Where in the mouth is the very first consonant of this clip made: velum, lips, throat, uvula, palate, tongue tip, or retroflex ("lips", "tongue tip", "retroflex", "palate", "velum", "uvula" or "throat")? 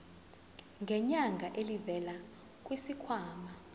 velum